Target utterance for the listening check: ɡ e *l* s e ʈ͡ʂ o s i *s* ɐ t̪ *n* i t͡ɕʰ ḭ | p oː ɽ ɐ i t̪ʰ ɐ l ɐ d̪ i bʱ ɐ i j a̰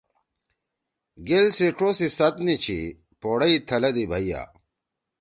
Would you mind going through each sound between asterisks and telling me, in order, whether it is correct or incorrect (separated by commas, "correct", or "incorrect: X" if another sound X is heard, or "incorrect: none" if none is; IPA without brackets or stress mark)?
correct, correct, correct